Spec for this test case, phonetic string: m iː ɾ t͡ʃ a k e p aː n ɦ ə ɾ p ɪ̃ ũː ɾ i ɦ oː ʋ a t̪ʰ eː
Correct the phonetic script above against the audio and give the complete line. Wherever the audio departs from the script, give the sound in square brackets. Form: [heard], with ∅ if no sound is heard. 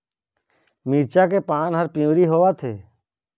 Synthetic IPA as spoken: m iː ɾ t͡ʃ a k e p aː n ɦ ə ɾ p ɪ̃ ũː ɾ i ɦ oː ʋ a t̪ʰ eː